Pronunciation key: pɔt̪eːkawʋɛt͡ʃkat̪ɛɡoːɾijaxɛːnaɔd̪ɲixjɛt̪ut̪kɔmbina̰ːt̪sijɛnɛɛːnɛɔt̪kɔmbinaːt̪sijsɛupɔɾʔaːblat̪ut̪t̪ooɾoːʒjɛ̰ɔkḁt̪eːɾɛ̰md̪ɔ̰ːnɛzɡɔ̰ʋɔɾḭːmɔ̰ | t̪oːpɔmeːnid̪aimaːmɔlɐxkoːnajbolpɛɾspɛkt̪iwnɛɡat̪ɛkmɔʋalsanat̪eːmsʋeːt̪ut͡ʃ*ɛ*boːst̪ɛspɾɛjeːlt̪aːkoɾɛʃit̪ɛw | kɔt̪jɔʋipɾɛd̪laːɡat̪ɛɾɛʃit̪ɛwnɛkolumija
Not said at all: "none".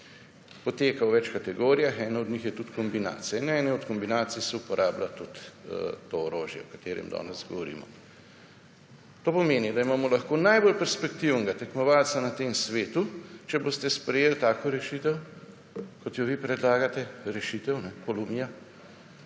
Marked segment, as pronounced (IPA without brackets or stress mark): ɛ